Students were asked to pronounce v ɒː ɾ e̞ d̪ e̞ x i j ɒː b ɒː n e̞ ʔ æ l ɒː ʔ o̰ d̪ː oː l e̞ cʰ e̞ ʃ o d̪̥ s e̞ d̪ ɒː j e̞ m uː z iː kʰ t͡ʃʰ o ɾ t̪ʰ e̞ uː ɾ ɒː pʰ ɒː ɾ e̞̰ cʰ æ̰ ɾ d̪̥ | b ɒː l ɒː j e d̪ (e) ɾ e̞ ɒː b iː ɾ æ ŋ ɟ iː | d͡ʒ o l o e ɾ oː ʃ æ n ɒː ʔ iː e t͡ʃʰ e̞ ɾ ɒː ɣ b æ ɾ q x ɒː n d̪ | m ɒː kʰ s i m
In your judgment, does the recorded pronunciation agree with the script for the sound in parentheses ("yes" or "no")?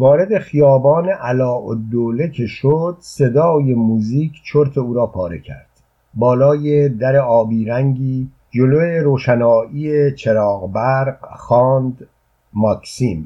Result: no